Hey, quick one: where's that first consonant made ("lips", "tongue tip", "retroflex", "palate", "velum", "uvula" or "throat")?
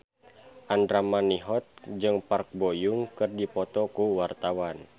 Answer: throat